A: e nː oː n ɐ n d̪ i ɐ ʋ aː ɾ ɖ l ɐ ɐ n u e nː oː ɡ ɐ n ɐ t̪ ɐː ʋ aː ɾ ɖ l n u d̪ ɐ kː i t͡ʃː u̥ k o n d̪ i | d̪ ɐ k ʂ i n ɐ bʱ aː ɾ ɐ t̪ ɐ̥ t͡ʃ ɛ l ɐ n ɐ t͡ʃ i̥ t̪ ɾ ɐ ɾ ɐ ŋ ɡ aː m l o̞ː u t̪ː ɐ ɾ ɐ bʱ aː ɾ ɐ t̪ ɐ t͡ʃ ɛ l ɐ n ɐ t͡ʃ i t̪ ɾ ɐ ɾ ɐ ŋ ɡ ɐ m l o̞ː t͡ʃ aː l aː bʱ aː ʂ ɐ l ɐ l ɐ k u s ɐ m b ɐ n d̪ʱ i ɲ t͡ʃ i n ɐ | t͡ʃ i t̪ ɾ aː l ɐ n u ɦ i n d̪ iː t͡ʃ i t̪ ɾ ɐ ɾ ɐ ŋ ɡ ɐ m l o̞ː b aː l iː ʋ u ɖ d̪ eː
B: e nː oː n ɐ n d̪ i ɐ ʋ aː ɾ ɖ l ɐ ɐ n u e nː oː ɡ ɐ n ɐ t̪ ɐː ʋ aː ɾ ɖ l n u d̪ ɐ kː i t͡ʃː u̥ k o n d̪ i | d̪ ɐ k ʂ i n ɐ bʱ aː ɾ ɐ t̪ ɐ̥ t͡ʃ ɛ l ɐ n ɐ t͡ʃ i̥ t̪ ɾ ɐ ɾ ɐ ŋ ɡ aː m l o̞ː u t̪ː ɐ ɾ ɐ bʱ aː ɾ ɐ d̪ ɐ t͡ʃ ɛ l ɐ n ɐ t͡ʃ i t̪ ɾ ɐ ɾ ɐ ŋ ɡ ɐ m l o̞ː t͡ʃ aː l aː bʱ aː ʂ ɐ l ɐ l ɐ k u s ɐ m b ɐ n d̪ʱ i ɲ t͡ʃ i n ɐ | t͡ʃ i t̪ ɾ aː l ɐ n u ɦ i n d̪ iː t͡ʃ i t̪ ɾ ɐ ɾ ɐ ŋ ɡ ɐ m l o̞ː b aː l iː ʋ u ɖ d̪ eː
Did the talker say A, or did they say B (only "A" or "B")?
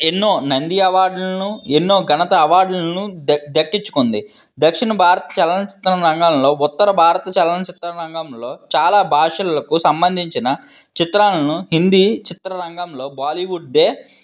A